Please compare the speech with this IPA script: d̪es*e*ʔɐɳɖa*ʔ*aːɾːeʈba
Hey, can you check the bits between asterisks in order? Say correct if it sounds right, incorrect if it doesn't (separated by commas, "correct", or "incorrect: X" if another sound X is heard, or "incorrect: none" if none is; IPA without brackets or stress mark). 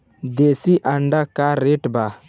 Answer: incorrect: i, incorrect: k